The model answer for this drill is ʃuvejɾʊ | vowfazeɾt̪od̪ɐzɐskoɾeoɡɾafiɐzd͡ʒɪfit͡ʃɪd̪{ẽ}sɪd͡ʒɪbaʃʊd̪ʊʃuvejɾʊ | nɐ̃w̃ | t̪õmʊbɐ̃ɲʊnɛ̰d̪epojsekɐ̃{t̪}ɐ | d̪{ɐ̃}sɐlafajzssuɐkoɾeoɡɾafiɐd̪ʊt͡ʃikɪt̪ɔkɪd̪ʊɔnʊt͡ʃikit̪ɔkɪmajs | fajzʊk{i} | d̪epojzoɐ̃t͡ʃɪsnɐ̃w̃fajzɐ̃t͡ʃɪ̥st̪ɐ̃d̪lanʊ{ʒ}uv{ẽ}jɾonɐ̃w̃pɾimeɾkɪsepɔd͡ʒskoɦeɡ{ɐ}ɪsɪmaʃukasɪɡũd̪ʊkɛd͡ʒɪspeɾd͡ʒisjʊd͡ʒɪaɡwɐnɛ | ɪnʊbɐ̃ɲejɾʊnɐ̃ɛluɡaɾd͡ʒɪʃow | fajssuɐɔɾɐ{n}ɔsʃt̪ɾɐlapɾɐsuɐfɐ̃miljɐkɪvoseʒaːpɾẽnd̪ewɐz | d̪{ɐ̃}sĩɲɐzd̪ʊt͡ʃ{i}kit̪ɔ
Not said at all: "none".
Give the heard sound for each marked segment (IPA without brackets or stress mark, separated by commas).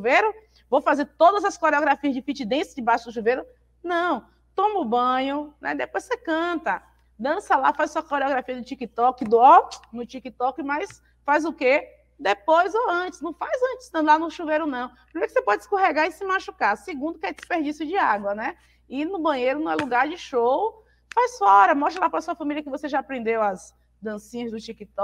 ẽ, t̪, ɐ̃, e, ʃ, e, a, m, ɐ̃, i